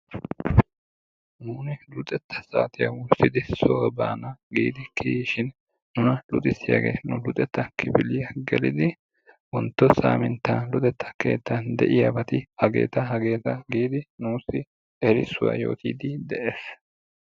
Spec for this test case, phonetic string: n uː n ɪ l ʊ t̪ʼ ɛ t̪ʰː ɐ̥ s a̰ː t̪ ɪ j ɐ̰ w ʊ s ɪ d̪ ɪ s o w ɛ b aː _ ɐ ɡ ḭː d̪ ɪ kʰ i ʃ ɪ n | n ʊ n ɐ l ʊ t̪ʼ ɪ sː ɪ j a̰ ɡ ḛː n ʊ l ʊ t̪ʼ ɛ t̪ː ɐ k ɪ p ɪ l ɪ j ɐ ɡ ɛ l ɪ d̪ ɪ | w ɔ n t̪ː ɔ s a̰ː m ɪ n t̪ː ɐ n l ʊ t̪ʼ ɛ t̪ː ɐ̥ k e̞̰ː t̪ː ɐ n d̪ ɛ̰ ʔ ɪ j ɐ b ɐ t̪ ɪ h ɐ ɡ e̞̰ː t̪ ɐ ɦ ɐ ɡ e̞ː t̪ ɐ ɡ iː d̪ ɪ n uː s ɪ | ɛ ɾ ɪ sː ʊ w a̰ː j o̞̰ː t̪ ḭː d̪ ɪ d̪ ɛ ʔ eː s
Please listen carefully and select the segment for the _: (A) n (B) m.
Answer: A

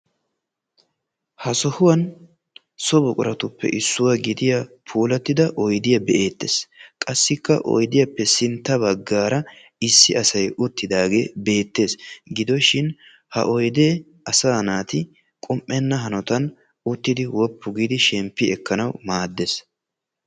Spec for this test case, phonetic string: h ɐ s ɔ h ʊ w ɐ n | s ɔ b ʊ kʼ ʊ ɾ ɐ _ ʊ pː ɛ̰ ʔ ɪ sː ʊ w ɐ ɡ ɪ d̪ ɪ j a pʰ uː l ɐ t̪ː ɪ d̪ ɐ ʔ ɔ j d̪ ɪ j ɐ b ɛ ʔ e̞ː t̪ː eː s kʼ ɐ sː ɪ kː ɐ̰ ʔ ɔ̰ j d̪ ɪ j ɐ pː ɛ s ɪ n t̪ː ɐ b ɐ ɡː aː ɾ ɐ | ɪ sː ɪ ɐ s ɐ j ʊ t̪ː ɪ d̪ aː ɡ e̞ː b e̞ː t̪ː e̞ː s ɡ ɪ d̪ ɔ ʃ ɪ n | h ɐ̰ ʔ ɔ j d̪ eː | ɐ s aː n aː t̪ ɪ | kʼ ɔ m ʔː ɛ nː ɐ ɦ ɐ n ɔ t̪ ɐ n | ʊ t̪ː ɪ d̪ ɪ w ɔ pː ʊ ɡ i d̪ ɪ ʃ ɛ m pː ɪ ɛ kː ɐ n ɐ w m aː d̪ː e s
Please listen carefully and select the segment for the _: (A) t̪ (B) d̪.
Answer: A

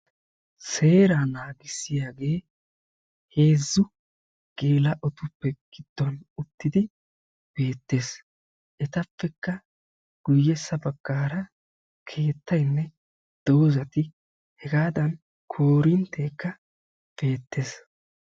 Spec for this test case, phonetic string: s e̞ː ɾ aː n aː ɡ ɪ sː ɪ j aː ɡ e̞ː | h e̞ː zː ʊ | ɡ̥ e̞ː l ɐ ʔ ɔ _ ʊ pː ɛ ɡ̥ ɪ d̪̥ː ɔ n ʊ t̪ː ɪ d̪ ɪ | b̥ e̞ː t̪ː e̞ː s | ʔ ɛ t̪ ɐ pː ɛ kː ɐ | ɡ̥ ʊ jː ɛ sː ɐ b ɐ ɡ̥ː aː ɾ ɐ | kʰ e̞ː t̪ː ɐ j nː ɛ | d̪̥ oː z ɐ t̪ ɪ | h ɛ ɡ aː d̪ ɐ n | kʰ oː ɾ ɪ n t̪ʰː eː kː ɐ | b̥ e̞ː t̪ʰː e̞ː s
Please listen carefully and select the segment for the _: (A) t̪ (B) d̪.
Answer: A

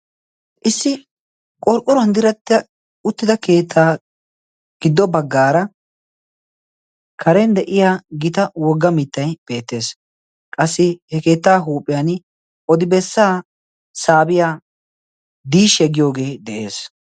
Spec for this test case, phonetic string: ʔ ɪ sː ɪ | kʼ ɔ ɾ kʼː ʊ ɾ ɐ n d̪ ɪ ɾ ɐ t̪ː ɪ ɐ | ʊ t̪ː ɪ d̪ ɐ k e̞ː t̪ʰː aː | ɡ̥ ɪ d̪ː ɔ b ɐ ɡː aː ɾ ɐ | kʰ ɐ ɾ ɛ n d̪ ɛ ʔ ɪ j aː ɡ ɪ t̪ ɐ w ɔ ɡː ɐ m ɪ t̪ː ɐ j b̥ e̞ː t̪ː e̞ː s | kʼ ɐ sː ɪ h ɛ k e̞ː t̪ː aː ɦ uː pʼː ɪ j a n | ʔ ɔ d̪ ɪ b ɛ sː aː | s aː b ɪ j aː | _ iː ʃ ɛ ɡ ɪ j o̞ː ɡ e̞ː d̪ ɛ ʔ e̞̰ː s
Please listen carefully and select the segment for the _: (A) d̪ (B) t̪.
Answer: A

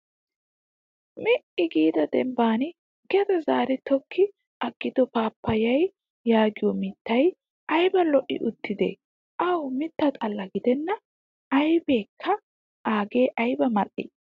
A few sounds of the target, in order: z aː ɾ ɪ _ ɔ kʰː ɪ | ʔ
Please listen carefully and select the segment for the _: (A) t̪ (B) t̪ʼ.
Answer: A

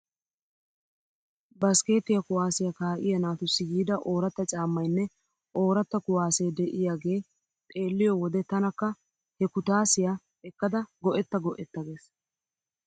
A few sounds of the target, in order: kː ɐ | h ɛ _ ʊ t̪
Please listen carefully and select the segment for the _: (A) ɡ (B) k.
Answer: B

